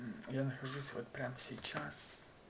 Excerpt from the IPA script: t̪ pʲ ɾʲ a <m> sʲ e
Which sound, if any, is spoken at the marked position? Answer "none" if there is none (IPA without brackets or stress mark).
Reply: m